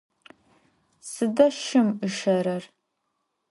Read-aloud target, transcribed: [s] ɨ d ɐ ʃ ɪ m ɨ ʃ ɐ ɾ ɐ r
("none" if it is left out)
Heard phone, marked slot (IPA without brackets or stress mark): s